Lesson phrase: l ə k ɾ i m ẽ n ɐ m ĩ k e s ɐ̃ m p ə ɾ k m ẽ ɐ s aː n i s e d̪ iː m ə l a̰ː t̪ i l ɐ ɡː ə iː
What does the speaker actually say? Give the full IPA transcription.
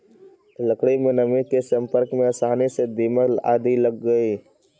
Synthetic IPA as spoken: l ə k ɽ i m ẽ n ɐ m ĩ k e s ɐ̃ m p ə ɾ k m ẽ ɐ s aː n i s e d̪ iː m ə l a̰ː d̪ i l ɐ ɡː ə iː